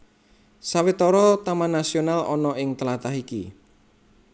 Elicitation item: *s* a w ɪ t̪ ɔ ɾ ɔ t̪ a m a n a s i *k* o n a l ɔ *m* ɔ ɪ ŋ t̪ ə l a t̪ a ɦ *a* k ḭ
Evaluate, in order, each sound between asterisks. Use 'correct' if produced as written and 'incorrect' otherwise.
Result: correct, incorrect, incorrect, incorrect

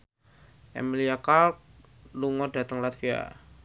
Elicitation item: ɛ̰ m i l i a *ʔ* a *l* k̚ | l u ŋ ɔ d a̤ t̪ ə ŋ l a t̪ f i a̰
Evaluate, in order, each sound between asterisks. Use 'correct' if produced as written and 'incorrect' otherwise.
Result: incorrect, correct

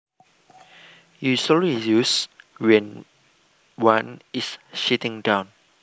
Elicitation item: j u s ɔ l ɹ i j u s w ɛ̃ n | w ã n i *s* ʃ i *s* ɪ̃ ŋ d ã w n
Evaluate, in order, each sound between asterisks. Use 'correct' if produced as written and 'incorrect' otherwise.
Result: correct, incorrect

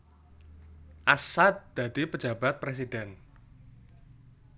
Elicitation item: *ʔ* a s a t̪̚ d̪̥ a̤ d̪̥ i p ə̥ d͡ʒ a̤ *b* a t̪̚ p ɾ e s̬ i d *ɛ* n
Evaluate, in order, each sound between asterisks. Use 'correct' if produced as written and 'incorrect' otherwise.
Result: correct, correct, correct

